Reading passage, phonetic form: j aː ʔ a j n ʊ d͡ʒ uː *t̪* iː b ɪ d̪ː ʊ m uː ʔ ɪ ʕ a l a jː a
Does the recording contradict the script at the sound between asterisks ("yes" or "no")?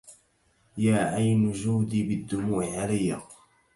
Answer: yes